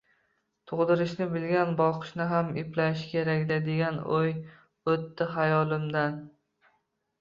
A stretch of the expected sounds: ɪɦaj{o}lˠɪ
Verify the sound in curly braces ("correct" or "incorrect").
incorrect